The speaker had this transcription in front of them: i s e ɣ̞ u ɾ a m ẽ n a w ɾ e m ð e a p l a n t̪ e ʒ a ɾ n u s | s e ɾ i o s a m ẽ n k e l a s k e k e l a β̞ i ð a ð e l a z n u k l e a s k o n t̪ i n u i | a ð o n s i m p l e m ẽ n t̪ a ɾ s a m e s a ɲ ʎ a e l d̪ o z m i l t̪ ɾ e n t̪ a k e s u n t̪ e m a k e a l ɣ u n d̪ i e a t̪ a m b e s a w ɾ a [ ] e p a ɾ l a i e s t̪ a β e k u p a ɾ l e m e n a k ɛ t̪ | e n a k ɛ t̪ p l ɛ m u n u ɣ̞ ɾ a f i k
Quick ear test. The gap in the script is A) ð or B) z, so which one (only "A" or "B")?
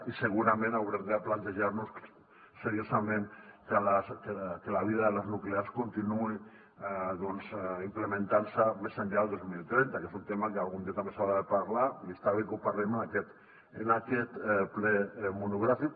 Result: A